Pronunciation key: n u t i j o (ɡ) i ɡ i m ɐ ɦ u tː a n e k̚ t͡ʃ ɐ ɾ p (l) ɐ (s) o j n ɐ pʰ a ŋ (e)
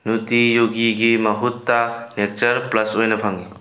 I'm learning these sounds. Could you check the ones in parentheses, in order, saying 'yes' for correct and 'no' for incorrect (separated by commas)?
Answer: yes, yes, yes, no